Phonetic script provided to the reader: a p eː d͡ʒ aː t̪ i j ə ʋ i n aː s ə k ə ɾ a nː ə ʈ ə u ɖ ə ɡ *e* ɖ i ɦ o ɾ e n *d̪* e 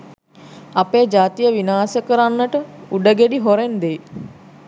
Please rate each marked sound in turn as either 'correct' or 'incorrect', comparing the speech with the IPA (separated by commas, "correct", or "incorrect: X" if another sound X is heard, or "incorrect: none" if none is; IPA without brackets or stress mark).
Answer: correct, correct